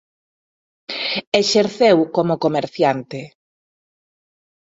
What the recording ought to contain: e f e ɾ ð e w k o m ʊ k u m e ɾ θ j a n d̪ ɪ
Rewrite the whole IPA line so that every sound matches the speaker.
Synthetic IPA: e ʃ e ɾ θ e w k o m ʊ k o m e ɾ θ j a n t̪ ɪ

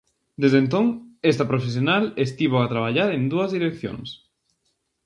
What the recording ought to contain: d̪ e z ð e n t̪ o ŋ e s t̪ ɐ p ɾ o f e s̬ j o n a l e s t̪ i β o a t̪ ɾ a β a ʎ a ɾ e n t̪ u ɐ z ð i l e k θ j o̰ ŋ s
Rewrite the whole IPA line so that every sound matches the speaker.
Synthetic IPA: d̪ e z ð e n t̪ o ŋ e s t̪ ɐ p ɾ o f e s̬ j o n a l e s t̪ i β o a t̪ ɾ a β a ʎ a ɾ e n d̪ u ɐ z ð i ɾ e k θ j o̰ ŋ s

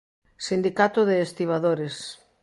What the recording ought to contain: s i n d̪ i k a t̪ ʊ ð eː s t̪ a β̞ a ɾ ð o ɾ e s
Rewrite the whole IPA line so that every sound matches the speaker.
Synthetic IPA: s i n d̪ i k a t̪ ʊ ð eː s t̪ i β̞ a ð o ɾ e s

